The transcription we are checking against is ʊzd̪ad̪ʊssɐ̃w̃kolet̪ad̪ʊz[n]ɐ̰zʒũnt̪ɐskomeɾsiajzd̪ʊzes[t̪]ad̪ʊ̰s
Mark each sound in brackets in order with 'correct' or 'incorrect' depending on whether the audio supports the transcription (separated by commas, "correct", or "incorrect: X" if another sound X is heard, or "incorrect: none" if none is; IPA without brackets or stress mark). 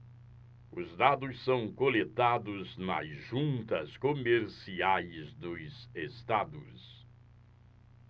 correct, correct